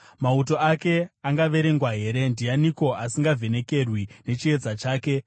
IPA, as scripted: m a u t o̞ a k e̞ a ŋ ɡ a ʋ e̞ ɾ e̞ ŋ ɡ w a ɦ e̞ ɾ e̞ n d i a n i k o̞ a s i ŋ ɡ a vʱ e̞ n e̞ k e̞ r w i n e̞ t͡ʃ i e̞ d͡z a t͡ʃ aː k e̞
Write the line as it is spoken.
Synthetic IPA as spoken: m a u t o̞ a k e̞ a ŋ ɡ a ʋ e̞ ɾ e̞ ŋ ɡ w a ɦ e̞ ɾ e̞ n d i a n i k o̞ a s i ŋ ɡ a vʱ e̞ n e̞ k e̞ r w i n e̞ t͡ʃ i e̞ d͡z a t͡ʃ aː k e̞